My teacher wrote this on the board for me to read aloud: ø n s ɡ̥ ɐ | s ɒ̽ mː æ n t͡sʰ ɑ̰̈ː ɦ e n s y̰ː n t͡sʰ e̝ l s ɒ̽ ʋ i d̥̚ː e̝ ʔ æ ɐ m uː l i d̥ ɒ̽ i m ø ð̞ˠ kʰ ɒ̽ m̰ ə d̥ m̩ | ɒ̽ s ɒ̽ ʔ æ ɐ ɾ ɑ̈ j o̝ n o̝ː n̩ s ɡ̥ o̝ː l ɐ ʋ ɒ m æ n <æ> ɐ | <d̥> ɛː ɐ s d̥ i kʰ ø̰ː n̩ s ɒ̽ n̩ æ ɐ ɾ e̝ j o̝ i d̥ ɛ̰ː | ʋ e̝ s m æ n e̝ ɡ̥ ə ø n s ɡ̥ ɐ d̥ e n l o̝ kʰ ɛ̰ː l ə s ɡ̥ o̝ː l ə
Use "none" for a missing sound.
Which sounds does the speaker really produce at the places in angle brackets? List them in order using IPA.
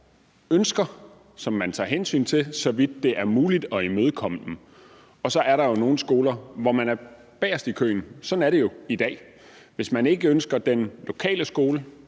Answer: æ, b̥

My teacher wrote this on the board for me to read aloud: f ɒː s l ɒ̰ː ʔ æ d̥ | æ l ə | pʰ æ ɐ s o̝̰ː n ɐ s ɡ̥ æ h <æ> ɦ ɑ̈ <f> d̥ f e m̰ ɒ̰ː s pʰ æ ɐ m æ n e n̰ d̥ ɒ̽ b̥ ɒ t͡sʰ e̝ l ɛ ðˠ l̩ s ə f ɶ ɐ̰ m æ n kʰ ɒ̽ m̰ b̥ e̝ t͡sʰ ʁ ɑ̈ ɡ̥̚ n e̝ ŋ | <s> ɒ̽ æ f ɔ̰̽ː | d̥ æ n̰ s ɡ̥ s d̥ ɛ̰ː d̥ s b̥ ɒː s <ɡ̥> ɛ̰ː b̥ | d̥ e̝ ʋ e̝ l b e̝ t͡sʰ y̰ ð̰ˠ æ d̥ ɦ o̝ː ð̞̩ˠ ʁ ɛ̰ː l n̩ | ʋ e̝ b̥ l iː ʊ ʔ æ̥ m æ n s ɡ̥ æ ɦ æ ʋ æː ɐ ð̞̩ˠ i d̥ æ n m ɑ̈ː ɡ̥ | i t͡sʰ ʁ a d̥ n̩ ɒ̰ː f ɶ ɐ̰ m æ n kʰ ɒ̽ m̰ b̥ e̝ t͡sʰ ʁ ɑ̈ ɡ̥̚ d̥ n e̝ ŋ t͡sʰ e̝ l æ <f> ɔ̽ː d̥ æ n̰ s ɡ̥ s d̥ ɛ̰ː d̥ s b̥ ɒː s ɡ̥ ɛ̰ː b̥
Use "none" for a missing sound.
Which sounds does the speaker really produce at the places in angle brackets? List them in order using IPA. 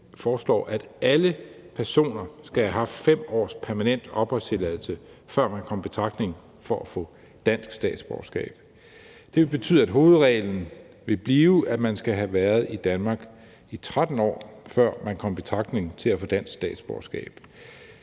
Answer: æ, f, f, ɡ̥, f

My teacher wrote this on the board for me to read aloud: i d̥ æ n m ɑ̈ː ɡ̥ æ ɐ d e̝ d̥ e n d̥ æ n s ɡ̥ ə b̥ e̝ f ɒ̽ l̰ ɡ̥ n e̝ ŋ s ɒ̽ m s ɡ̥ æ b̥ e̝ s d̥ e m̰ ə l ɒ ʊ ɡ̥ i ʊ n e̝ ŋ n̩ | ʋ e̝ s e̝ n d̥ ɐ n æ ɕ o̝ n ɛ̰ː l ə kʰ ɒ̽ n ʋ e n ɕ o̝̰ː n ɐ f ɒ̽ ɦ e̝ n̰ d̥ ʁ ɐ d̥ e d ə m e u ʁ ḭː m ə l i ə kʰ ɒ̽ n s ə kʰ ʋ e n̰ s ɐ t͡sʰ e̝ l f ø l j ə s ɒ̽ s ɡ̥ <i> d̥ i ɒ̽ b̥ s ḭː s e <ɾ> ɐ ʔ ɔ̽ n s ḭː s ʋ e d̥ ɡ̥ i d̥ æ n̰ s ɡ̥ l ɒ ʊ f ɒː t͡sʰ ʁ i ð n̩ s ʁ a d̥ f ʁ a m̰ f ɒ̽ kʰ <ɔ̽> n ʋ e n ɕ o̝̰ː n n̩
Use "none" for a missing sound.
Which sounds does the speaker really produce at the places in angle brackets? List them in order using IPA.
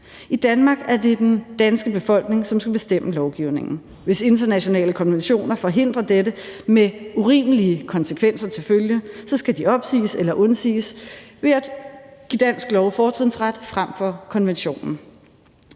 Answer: æ, l, ɒ̽

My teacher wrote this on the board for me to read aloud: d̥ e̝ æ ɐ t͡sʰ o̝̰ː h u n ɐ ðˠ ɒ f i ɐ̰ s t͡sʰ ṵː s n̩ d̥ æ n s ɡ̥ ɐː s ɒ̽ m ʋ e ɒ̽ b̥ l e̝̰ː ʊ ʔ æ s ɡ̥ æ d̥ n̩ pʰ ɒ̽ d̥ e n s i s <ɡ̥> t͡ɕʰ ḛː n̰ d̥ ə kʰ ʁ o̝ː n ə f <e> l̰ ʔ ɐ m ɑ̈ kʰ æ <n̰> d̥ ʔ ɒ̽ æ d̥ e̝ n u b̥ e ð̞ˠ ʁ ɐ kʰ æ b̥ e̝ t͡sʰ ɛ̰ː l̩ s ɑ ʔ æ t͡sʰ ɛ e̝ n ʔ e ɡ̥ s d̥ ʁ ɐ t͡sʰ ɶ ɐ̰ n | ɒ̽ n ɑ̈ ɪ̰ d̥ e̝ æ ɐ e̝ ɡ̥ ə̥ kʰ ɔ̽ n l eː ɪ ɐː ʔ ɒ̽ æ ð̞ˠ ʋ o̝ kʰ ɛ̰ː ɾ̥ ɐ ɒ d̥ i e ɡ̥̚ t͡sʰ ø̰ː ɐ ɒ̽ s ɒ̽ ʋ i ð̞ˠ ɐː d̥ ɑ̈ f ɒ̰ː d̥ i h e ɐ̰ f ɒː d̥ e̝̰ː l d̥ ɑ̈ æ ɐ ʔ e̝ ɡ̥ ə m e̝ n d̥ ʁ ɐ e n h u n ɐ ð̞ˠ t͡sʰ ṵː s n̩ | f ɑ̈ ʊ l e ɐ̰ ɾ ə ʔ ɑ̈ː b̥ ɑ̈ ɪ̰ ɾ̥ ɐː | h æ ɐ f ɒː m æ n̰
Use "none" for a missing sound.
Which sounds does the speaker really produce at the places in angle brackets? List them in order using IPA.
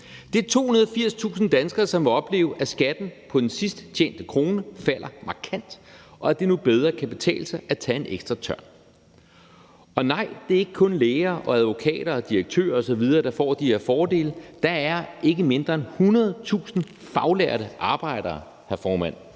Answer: d̥, æ, n̰

